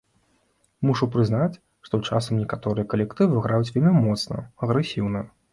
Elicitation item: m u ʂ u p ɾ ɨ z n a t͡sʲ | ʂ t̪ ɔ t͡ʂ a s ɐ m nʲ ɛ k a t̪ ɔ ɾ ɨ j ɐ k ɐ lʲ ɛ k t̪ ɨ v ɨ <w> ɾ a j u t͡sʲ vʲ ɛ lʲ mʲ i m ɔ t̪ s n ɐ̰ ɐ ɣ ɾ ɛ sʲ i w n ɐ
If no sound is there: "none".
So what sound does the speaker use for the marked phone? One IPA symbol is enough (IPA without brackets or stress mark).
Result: ɣ